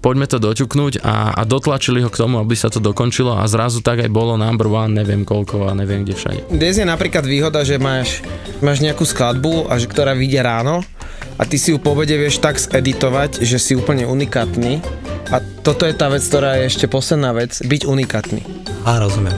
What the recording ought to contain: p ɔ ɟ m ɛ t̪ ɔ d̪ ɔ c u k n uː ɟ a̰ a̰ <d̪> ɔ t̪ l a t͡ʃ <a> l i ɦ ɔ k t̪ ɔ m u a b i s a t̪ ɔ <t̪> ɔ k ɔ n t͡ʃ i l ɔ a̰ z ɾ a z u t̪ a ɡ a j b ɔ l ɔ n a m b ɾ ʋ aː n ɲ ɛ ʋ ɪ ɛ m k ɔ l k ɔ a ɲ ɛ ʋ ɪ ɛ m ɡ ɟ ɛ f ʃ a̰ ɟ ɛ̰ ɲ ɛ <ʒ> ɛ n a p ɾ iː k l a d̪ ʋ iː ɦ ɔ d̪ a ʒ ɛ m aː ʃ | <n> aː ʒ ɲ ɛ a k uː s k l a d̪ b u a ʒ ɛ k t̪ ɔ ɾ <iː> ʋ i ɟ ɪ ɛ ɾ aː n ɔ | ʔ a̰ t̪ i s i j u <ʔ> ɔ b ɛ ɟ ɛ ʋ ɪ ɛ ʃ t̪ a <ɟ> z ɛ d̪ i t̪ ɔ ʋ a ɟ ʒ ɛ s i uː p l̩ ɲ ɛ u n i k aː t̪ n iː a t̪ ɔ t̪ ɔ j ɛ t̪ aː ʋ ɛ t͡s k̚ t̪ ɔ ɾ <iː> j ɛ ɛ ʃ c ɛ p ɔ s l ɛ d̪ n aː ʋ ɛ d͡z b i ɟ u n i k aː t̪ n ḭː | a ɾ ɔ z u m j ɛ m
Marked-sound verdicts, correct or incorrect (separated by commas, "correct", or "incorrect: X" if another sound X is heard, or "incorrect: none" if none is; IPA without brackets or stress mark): correct, incorrect: i, incorrect: d̪, incorrect: z, incorrect: m, incorrect: aː, incorrect: p, incorrect: ɡ, incorrect: aː